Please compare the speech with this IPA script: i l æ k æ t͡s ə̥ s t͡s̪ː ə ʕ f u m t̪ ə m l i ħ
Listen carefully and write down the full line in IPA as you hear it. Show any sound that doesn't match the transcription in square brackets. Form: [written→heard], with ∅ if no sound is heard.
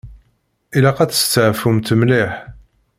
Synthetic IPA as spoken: i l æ [k→q] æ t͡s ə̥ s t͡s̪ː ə ʕ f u m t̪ ə m l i ħ

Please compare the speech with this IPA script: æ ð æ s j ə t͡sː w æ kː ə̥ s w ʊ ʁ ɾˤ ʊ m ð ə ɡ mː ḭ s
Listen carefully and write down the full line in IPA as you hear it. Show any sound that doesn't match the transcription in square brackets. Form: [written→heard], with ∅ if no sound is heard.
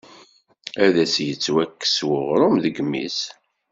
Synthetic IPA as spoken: æ ð æ s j ə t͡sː w æ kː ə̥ s w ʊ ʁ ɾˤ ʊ m ð ə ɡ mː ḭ s

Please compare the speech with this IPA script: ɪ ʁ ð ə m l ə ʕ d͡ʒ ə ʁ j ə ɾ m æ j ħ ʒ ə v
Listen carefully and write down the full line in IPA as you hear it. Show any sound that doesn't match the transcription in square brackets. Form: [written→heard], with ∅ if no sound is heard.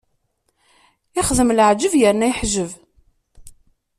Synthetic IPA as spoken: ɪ [ʁ→χ] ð ə m l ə ʕ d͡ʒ ə [ʁ→v] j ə ɾ [m→n] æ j ħ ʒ ə v

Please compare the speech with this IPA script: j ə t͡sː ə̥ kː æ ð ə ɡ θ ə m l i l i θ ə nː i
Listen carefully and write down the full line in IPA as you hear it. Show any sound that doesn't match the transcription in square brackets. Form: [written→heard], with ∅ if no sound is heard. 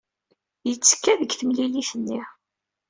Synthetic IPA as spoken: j ə t͡sː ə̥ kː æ ð ə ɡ θ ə m l i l i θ ə nː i

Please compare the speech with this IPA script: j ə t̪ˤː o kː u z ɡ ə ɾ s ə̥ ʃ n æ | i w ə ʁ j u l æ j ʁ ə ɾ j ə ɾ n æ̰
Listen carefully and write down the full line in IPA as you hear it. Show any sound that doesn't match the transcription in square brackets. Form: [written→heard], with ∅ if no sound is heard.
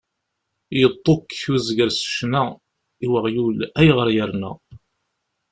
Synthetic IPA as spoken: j ə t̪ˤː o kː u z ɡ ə ɾ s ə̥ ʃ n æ | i w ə ʁ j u l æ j ʁ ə ɾ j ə ɾ n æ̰

